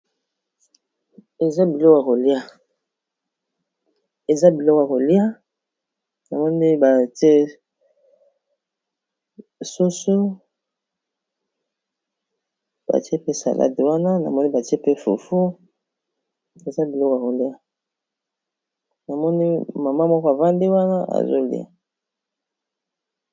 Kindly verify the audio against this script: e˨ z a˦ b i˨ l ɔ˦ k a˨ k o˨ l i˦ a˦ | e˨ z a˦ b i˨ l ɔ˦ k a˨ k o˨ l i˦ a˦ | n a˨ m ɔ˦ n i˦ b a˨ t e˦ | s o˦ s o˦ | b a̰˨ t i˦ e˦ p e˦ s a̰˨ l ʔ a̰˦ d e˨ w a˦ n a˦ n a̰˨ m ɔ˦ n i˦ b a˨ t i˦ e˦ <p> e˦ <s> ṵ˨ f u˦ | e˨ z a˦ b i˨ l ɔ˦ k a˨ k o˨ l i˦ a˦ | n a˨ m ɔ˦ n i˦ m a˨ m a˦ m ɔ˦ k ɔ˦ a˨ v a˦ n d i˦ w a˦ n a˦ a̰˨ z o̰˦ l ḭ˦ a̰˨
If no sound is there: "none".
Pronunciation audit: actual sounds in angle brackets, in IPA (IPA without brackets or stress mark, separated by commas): p, f